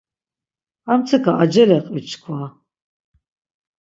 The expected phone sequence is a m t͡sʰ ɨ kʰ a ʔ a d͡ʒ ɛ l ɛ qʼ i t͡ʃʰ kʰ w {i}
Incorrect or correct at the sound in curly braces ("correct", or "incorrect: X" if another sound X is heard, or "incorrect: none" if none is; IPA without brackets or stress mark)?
incorrect: a